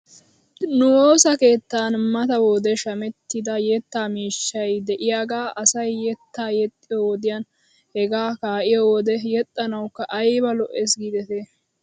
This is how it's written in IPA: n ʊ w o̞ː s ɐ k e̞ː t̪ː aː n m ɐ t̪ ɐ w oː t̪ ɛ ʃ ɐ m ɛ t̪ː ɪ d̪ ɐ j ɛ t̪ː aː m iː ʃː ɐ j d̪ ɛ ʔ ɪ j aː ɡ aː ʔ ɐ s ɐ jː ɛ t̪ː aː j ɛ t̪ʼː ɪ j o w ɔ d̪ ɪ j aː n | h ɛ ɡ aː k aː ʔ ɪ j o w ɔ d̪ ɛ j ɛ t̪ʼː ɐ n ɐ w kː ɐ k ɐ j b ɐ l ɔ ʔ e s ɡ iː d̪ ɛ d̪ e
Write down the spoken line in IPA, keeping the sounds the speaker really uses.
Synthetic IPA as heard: n ʊ w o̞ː s ɐ k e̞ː t̪ː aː n m ɐ t̪ ɐ w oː d̪ ɛ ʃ ɐ m ɛ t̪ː ɪ d̪ ɐ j ɛ t̪ː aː m iː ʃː ɐ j d̪ ɛ ʔ ɪ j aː ɡ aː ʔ ɐ s ɐ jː ɛ t̪ː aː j ɛ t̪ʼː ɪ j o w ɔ d̪ ɪ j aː n | h ɛ ɡ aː k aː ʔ ɪ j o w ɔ d̪ ɛ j ɛ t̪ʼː ɐ n ɐ w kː ɐ ʔ ɐ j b ɐ l ɔ ʔ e s ɡ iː d̪ ɛ t̪ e